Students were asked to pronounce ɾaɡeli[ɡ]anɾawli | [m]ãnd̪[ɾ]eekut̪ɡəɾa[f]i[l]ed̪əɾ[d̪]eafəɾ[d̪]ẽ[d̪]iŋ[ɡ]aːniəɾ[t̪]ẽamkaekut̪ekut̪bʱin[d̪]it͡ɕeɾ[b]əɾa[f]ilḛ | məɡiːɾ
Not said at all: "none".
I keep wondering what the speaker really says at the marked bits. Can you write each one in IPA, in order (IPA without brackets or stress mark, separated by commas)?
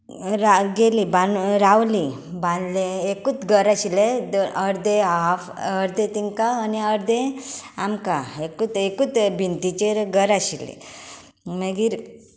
b, b, l, ɕ, l, d̪, d̪, t̪, k, d̪, t̪, ɡ, ɕ